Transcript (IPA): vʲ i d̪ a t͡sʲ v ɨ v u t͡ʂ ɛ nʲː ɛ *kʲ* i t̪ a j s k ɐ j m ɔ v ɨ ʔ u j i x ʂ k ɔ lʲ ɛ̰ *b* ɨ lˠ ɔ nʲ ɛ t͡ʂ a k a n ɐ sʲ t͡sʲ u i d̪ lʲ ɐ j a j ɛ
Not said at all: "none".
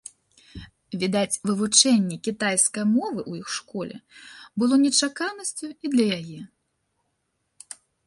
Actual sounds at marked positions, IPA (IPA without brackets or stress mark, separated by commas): kʲ, b